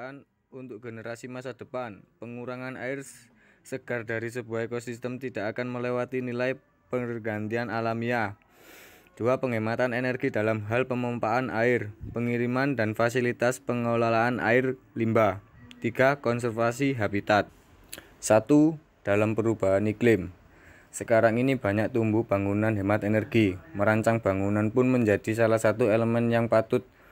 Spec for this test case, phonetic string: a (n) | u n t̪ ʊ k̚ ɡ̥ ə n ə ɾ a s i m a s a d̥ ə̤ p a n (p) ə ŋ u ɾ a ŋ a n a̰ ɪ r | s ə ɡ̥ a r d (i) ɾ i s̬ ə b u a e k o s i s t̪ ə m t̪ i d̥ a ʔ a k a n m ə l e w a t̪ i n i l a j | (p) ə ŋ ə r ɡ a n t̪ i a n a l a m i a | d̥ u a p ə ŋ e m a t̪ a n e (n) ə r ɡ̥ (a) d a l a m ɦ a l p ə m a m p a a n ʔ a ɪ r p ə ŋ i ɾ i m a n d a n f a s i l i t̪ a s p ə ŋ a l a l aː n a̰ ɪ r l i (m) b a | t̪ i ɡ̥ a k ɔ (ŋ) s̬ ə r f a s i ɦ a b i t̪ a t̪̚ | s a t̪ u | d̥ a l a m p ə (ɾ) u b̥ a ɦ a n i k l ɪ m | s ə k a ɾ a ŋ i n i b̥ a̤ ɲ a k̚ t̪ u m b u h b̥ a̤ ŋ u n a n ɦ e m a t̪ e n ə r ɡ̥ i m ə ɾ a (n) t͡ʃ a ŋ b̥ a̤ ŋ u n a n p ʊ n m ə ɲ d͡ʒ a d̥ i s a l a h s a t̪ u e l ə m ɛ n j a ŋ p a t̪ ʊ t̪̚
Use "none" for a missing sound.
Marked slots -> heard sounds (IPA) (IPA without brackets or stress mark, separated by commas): n, p, a, p, n, i, m, n, ɾ, ɲ